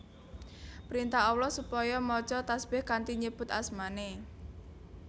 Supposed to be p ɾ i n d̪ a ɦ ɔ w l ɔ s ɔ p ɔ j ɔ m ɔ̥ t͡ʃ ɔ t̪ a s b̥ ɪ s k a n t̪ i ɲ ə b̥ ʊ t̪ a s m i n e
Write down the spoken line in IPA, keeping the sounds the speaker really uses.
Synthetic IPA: p ɾ i n t̪ a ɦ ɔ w l ɔ s u p ɔ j ɔ m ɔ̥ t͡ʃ ɔ t̪ a s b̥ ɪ h k a n t̪ i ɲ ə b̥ ʊ t̪ a s m a n e